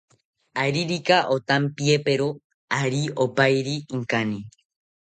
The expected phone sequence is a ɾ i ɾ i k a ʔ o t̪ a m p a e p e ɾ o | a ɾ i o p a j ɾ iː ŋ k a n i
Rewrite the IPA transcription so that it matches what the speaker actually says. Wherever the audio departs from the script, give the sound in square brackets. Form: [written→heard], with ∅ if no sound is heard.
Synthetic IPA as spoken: a ɾ i ɾ i k a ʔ o t̪ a m p [a→i] e p e ɾ o | a ɾ i o p a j ɾ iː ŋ k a n i